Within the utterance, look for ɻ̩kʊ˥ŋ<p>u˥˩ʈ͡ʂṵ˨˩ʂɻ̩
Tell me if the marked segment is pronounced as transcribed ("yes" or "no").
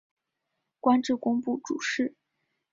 yes